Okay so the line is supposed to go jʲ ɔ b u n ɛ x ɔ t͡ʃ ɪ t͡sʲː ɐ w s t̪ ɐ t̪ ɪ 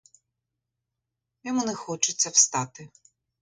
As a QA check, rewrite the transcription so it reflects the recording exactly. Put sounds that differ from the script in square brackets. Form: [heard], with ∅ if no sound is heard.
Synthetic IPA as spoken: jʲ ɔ [m] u n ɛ x ɔ t͡ʃ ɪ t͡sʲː ɐ w s t̪ [ɑ] t̪ ɪ